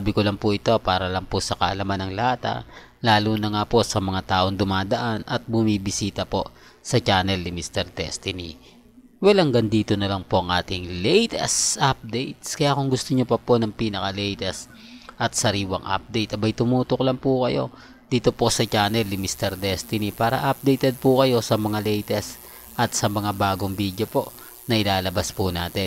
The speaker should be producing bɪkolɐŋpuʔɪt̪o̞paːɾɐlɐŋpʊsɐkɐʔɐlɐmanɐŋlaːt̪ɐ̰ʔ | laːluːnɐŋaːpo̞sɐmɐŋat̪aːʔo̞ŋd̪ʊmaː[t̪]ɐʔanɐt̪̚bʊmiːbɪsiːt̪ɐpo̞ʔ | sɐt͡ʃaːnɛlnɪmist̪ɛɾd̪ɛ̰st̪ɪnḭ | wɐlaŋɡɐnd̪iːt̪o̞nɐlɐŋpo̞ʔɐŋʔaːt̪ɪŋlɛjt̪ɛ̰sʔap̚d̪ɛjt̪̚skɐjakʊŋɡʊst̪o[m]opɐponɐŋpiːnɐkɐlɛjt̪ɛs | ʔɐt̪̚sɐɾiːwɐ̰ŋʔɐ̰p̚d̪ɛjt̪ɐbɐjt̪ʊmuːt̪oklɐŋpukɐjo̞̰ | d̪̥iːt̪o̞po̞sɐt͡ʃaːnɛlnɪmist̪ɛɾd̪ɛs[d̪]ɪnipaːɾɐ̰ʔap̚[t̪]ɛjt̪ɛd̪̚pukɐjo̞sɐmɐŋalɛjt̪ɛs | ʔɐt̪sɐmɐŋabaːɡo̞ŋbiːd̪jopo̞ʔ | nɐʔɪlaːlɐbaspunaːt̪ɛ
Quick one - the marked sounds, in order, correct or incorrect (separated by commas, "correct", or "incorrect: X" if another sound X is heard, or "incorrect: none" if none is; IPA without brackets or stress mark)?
incorrect: d̪, incorrect: ɲ, incorrect: t̪, incorrect: d̪